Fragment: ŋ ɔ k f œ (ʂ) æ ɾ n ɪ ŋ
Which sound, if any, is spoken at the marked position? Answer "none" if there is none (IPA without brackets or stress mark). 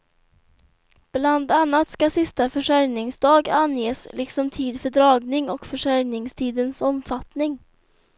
ʂ